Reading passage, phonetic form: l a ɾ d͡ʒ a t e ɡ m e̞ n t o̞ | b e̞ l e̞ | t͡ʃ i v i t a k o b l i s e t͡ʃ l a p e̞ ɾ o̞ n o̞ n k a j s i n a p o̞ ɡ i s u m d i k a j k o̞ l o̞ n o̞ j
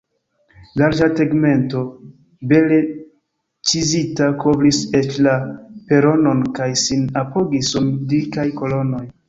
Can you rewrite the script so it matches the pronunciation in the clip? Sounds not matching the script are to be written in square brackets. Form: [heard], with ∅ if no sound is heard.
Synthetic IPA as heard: l a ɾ d͡ʒ a t e ɡ m e̞ n t o̞ | b e̞ l e̞ | t͡ʃ i [z] i t a k o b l i s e t͡ʃ l a p e̞ ɾ o̞ n o̞ n k a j s i n a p o̞ ɡ i s u m d i k a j k o̞ l o̞ n o̞ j

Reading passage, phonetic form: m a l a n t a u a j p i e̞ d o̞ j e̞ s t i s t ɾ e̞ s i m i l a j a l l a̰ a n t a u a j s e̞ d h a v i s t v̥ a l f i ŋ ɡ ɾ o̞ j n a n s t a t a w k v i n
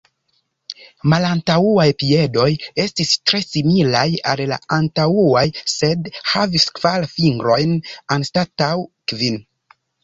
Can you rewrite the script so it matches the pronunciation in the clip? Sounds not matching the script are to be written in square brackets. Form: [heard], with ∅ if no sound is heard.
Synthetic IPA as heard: m a l a n t a u a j p i e̞ d o̞ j e̞ s t i s t ɾ e̞ s i m i l a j a l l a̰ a n t a u a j s e̞ d h a v i s [k] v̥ a l f i ŋ ɡ ɾ o̞ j n a n s t a t a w k v i n

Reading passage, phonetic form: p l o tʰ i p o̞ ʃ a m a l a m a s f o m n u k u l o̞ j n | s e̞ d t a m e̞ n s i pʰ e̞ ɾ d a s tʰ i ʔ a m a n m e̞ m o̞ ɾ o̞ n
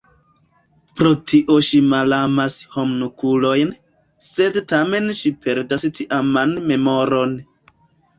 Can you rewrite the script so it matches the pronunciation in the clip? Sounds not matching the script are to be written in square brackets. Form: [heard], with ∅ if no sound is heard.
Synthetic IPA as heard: p [ɾ] o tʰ i [ʔ] o̞ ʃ [i] m a l a m a s [h] o m n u k u l o̞ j n | s e̞ d t a m e̞ n [ʃ] i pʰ e̞ ɾ d a s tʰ i ʔ a m a n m e̞ m o̞ ɾ o̞ n

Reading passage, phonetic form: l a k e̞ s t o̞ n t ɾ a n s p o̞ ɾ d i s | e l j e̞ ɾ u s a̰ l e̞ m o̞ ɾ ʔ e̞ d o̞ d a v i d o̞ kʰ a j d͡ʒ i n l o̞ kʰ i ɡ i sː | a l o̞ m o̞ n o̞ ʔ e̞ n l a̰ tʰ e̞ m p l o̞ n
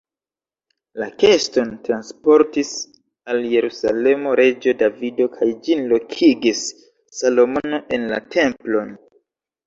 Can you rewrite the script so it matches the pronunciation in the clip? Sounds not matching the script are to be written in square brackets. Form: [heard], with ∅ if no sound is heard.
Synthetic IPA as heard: l a k e̞ s t o̞ n t ɾ a n s p o̞ ɾ [t] i s | [a] l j e̞ ɾ u s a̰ l e̞ m o̞ ɾ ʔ e̞ [d͡ʒ] o̞ d a v i d o̞ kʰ a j d͡ʒ i n l o̞ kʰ i ɡ i sː | a l o̞ m o̞ n o̞ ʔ e̞ n l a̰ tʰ e̞ m p l o̞ n

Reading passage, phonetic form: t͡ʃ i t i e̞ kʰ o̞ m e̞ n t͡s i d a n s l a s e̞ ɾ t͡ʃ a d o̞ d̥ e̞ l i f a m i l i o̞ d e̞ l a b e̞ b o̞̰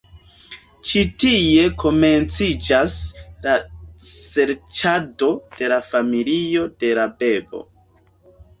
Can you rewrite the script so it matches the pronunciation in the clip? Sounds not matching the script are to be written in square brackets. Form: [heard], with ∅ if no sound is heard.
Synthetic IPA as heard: t͡ʃ i t i e̞ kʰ o̞ m e̞ n t͡s i [d͡ʒ] a [∅] s l a s e̞ ɾ t͡ʃ a d o̞ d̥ e̞ l [a] f a m i l i o̞ d e̞ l a b e̞ b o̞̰

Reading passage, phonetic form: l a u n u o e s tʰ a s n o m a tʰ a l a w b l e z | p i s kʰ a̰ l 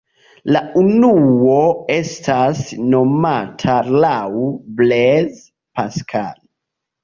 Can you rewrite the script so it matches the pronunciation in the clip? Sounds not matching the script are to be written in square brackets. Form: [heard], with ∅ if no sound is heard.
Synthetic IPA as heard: l a u n u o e s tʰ a s n o m a tʰ a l a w b l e z | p [a] s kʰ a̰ l

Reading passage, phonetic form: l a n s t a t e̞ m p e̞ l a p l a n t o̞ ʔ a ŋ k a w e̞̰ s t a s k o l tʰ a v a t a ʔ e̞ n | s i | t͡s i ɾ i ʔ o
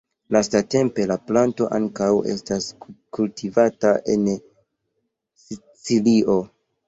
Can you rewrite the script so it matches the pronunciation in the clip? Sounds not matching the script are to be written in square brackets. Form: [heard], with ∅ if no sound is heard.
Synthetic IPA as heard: l a [∅] s t a t e̞ m p e̞ l a p l a n t o̞ ʔ a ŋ k a w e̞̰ s t a s k [u] l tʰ [i] v a t a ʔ e̞ n | s i | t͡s i [l] i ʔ o

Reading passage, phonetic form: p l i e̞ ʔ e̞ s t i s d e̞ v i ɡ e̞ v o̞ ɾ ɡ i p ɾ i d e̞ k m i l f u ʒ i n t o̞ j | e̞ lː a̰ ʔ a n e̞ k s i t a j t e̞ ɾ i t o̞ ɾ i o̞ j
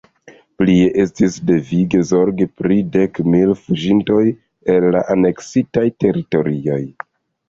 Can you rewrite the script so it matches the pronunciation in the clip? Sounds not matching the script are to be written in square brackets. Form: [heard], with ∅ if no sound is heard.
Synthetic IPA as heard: p l i e̞ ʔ e̞ s t i s d e̞ v i ɡ e̞ [z] o̞ ɾ ɡ i p ɾ i d e̞ k m i l f u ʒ i n t o̞ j | e̞ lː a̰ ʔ a n e̞ k s i t a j t e̞ ɾ i t o̞ ɾ i o̞ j

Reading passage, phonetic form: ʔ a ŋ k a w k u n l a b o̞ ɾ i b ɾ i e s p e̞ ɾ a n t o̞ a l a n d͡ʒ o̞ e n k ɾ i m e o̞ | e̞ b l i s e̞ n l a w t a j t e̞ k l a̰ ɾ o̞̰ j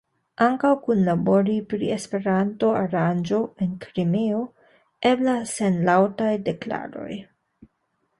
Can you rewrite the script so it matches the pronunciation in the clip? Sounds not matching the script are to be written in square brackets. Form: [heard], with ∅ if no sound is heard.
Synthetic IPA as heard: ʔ a ŋ k a w k u n l a b o̞ ɾ i [p] ɾ i e s p e̞ ɾ a n t o̞ a [ɾ] a n d͡ʒ o̞ e n k ɾ i m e o̞ | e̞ b l [a] s e̞ n l a w t a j [d] e̞ k l a̰ ɾ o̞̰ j

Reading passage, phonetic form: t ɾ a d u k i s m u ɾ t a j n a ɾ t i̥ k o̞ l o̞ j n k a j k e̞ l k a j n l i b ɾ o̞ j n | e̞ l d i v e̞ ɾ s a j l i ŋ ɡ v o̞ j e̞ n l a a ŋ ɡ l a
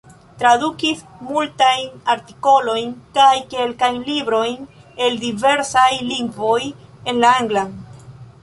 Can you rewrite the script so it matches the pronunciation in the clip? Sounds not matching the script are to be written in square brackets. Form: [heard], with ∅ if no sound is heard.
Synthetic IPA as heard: t ɾ a d u k i s m u [l] t a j n a ɾ t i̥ k o̞ l o̞ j n k a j k e̞ l k a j n l i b ɾ o̞ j n | e̞ l d i v e̞ ɾ s a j l i ŋ ɡ v o̞ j e̞ n l a a ŋ ɡ l a

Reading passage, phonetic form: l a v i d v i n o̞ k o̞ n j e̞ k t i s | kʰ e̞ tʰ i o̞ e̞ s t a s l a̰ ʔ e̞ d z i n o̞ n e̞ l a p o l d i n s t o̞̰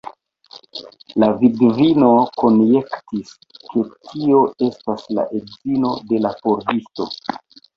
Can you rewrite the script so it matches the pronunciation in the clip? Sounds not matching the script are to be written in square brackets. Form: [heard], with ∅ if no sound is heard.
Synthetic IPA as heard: l a v i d v i n o̞ k o̞ n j e̞ k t i s | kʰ e̞ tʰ i o̞ e̞ s t a s l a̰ ʔ e̞ d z i n o̞ [d] e̞ l a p o [ɾ] d i [∅] s t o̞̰

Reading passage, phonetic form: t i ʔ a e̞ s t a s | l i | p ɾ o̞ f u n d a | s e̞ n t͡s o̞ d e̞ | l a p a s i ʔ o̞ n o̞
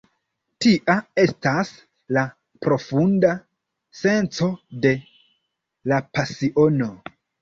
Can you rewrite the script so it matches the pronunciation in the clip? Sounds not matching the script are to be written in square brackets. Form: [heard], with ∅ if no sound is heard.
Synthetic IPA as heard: t i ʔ a e̞ s t a s | l [a] | p ɾ o̞ f u n d a | s e̞ n t͡s o̞ d e̞ | l a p a s i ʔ o̞ n o̞

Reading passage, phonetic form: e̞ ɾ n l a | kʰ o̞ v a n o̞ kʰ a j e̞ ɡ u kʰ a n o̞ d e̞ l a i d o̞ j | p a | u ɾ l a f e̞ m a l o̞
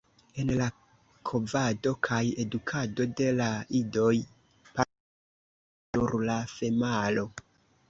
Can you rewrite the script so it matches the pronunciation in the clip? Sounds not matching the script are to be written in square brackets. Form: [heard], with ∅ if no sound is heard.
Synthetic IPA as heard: e̞ [∅] n l a | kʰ o̞ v a [d] o̞ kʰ a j e̞ [d] u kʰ a [d] o̞ d e̞ l a i d o̞ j | p a | u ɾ l a f e̞ m a l o̞

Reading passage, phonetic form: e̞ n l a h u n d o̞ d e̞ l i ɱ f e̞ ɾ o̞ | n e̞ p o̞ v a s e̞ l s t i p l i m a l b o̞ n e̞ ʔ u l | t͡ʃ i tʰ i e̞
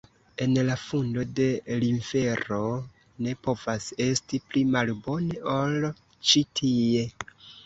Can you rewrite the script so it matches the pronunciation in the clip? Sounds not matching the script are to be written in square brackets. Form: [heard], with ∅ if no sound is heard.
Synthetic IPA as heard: e̞ n l a [f] u n d o̞ d e̞ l i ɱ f e̞ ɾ o̞ | n e̞ p o̞ v a s e̞ [∅] s t i p l i m a l b o̞ n e̞ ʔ [o] l | t͡ʃ i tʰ i e̞

